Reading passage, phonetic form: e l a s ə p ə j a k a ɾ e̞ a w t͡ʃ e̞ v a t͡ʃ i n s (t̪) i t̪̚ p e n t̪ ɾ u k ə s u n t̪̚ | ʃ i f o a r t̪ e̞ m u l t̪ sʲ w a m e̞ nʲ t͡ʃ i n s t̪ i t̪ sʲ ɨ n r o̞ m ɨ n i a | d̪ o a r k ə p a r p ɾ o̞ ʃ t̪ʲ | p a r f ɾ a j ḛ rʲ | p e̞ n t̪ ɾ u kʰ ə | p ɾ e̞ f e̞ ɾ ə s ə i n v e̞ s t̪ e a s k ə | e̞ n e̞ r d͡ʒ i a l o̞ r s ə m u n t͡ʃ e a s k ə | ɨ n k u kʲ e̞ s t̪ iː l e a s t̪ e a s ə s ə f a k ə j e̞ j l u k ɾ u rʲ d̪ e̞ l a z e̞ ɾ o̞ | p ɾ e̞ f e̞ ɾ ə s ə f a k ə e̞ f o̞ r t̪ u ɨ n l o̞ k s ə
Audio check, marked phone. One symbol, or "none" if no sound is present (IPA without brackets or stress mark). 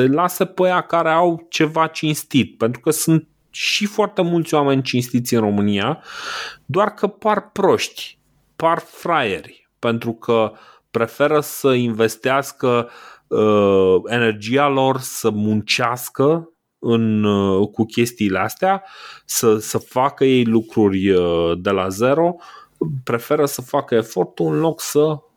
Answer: t̪